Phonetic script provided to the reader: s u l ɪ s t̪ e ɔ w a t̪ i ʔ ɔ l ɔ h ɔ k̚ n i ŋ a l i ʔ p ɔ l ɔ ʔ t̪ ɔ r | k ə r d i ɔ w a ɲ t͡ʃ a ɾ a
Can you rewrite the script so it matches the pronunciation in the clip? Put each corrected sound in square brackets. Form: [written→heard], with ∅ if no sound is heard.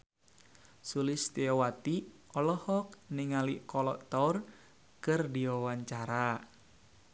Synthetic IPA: s u l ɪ s t̪ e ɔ w a t̪ i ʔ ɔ l ɔ h ɔ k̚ n i ŋ a l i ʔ [p→k] ɔ l ɔ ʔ t̪ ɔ r | k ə r d i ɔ w a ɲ t͡ʃ a ɾ a